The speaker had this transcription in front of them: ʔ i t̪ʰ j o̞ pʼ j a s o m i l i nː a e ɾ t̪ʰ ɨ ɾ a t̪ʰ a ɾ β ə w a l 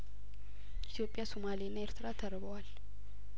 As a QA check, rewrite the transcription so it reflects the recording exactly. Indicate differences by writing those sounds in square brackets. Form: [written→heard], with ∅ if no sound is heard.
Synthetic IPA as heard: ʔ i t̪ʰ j o̞ pʼ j a s o m [i→a] l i nː a e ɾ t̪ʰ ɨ ɾ a t̪ʰ [a→ə] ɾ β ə w a l